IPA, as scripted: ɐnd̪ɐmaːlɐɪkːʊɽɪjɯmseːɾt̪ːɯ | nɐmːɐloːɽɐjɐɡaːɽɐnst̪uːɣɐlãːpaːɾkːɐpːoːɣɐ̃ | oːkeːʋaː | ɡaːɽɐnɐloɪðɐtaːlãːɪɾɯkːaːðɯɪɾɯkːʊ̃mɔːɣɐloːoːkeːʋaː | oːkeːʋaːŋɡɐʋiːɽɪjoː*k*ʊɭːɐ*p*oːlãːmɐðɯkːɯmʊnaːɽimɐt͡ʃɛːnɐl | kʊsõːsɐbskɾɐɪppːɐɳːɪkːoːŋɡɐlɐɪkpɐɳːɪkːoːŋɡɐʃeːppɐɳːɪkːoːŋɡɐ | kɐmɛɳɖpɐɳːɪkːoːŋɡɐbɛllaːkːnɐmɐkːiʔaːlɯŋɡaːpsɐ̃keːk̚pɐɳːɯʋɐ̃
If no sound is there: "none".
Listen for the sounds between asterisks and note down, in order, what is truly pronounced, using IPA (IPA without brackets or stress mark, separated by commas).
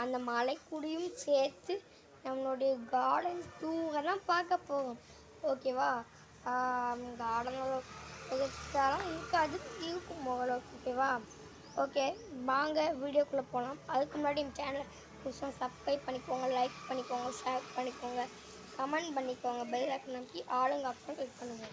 k, p